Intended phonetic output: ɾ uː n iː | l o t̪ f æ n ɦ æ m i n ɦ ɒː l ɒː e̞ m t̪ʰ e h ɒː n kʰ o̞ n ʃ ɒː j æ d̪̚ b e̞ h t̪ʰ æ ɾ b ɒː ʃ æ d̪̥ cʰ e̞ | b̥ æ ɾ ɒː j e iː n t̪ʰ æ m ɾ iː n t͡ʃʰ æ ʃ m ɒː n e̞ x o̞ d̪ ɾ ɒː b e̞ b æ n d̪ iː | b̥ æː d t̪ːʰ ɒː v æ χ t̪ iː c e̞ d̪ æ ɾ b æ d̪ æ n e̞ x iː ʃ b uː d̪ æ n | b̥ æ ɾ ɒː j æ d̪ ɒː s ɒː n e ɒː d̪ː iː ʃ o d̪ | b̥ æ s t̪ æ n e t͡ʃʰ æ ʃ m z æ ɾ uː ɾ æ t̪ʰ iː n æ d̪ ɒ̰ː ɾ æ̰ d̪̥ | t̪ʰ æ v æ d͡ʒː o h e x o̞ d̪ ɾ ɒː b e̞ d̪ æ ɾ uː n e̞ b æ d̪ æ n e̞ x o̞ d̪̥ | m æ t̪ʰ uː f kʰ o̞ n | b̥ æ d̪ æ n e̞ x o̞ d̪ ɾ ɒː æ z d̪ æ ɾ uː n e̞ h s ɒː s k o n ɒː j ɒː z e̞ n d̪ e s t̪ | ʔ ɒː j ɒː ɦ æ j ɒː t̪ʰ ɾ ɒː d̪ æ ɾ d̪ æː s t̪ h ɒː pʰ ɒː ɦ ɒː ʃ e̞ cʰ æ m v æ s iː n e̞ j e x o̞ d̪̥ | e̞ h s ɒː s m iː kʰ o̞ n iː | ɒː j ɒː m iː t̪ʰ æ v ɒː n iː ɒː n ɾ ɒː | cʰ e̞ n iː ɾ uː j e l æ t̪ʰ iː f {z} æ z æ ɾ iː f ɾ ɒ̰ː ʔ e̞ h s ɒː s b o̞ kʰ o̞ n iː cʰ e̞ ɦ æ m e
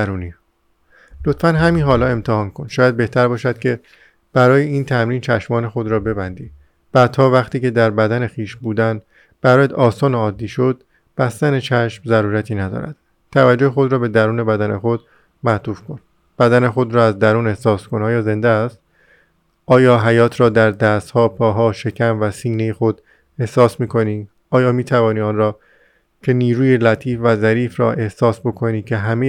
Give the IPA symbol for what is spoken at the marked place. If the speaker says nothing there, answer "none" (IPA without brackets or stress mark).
v